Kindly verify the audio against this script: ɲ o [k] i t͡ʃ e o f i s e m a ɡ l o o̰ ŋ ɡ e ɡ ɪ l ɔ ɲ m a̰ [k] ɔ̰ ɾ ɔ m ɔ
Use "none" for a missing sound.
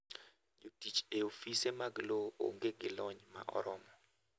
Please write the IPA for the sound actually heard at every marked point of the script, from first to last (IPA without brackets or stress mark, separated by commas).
t, ʔ